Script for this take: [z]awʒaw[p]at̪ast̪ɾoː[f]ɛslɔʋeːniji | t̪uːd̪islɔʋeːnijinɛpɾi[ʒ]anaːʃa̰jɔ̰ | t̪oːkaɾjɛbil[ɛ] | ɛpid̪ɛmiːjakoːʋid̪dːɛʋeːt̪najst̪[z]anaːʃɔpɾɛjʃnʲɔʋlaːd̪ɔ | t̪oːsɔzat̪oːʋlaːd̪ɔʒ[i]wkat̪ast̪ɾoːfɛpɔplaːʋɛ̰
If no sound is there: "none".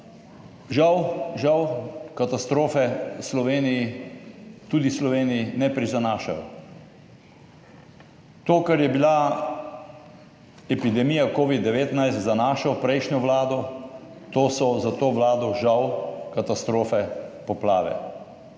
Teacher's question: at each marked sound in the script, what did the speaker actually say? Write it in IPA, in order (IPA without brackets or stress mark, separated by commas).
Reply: ʒ, k, f, z, a, z, a